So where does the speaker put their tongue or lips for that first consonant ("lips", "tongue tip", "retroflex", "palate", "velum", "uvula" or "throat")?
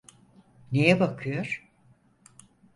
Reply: tongue tip